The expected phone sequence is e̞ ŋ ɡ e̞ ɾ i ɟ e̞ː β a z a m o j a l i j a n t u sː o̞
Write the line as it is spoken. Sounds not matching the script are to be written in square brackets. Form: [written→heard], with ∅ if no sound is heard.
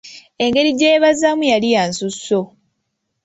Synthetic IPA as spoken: e̞ ŋ ɡ e̞ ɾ i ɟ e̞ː β a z a m [o→u] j a l i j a n [t→s] u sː o̞